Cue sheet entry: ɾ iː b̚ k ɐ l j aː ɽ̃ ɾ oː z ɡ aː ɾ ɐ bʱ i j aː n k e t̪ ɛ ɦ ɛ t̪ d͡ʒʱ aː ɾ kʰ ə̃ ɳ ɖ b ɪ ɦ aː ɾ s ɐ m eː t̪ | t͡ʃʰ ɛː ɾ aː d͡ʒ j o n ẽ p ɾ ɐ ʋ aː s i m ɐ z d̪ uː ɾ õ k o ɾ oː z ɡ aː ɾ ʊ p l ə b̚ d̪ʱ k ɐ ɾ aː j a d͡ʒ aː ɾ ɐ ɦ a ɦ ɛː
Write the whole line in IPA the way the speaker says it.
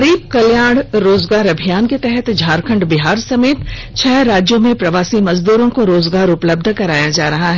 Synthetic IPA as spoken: ɾ iː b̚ k ɐ l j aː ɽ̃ ɾ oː z ɡ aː ɾ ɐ bʱ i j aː n k e t̪ ɛ ɦ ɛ t̪ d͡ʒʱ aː ɾ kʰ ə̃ ɳ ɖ b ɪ ɦ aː ɾ s ɐ m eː t̪ | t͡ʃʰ ɛː ɾ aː d͡ʒ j o m ẽ p ɾ ɐ ʋ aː s i m ɐ z d̪ uː ɾ õ k o ɾ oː z ɡ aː ɾ ʊ p l ə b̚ d̪ʱ k ɐ ɾ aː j a d͡ʒ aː ɾ ɐ ɦ a ɦ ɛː